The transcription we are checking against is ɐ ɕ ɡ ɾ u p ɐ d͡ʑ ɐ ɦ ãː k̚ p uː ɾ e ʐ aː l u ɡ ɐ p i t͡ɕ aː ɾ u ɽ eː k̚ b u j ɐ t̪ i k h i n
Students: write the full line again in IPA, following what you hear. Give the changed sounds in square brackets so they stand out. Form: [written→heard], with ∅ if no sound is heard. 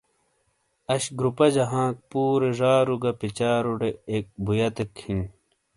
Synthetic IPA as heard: ɐ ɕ ɡ ɾ u p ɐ d͡ʑ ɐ ɦ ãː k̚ p uː ɾ e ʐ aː [l→ɾ] u ɡ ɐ p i t͡ɕ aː ɾ u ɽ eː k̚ b u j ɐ t̪ [i→e] k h i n